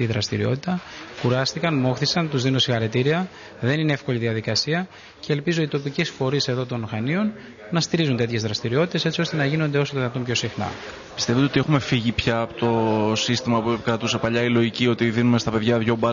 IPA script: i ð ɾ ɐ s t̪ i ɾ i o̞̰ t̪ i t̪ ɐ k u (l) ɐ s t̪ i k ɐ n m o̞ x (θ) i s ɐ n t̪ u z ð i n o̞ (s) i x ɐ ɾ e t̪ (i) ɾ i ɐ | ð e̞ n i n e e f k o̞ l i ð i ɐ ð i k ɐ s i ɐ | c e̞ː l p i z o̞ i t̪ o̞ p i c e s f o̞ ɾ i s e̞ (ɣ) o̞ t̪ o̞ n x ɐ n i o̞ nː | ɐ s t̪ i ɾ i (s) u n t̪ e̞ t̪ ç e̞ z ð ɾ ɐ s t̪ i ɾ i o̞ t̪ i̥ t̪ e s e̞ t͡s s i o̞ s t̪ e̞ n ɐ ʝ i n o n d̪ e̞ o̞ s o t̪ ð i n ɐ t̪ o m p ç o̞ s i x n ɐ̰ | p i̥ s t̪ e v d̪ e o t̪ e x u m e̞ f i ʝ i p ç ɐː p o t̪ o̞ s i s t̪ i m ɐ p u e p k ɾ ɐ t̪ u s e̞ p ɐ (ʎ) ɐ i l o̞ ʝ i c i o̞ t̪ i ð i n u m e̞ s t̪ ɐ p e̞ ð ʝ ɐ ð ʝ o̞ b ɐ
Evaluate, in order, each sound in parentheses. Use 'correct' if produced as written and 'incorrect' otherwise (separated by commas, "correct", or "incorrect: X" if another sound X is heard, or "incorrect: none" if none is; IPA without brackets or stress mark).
incorrect: ɾ, correct, correct, correct, incorrect: ð, incorrect: z, correct